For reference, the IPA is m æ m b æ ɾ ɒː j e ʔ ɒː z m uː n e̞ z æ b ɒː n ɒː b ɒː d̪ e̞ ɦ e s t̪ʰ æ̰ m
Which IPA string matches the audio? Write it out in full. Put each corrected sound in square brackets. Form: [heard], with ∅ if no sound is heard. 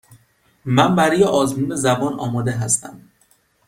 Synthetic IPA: m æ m b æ ɾ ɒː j e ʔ ɒː z m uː n e̞ z æ b ɒː n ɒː [m] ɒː d̪ e̞ ɦ [æ] s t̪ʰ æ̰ m